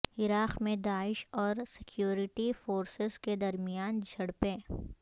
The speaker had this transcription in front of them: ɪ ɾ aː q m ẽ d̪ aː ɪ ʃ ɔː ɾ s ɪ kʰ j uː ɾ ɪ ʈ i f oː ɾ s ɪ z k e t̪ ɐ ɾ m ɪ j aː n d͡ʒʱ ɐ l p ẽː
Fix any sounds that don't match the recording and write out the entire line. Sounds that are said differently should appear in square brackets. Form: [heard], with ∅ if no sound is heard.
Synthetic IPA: ɪ ɾ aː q m ẽ d̪ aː ɪ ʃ ɔː ɾ s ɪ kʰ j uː ɾ ɪ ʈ i f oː ɾ s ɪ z k e [d̪] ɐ ɾ m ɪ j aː n d͡ʒʱ ɐ [ɽ] p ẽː